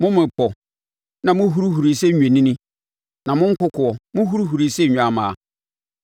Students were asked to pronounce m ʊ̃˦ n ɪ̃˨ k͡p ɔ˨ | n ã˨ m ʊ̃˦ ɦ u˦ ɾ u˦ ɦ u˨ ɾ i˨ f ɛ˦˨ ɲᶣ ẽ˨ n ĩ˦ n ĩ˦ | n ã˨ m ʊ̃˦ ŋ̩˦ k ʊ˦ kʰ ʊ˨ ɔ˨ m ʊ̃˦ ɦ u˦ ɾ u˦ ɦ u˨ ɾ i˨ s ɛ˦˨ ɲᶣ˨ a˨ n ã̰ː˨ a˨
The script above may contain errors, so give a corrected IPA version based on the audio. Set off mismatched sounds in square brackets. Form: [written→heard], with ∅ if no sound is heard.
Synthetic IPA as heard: m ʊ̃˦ [n→m] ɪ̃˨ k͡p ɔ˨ | n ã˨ m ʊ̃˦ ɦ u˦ ɾ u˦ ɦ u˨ ɾ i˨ [f→s] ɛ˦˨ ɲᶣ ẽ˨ n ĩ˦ n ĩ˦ | n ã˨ m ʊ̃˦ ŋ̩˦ k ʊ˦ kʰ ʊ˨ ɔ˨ m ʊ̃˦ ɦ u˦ ɾ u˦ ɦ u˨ ɾ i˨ s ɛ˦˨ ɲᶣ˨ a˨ [n→m] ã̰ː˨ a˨